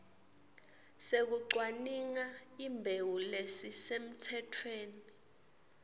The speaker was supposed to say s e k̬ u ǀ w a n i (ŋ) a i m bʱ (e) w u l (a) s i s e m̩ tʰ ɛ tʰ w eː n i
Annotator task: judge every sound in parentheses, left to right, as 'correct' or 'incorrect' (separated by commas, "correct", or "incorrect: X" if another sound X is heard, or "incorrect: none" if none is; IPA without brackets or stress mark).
correct, correct, incorrect: e